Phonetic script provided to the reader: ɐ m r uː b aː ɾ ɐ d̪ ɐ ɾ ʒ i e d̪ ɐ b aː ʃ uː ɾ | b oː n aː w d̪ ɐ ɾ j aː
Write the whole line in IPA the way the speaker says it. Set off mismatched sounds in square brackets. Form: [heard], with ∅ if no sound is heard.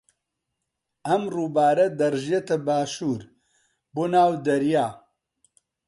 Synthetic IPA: ɐ m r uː b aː ɾ ɐ d̪ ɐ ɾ ʒ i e [t̪] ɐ b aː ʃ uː ɾ | b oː n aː w d̪ ɐ ɾ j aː